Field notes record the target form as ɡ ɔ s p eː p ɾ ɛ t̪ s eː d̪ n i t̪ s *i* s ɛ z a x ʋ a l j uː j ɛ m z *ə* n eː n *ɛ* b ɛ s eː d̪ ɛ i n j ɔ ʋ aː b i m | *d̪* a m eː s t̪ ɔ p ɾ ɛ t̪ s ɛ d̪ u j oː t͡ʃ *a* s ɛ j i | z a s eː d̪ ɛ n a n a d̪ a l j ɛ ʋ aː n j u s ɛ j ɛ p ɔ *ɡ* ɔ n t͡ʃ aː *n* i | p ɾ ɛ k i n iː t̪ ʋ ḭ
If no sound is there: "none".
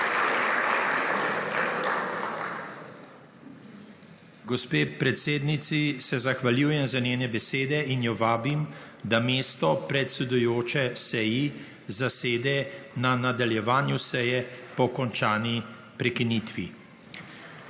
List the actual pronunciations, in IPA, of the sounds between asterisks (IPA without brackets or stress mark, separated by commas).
i, a, ɛ, d̪, ɛ, k, n